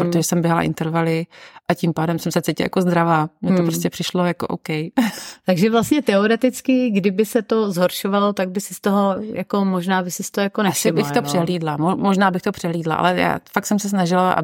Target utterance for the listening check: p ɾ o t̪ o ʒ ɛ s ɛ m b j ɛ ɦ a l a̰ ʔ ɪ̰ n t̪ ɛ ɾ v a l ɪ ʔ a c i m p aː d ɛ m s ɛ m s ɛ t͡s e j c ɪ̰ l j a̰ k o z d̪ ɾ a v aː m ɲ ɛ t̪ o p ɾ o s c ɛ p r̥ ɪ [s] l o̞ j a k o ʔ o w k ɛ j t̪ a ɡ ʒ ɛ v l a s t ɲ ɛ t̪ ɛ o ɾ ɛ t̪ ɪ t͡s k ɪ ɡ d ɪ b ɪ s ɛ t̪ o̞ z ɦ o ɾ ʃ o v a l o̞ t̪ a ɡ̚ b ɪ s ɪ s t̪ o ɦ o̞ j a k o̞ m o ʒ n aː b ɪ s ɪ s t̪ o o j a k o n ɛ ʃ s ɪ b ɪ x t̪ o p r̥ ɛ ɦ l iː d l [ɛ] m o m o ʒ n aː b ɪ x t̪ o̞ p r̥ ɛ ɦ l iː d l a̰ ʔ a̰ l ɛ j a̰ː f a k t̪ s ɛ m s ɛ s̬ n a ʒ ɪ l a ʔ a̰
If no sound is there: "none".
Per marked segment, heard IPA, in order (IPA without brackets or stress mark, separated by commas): ʃ, a